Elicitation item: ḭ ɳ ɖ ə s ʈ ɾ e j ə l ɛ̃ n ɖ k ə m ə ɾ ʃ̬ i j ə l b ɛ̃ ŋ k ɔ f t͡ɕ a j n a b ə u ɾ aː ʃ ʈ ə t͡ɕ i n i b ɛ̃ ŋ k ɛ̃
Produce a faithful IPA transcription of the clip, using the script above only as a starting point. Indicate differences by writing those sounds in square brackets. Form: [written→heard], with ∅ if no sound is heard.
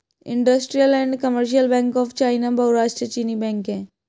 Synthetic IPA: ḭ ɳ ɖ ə s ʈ ɾ [e→i] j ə l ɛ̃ [n→ɳ] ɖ k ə m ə ɾ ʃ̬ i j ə l b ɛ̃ ŋ k ɔ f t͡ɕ a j n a b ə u ɾ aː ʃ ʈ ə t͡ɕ i n i b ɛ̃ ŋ k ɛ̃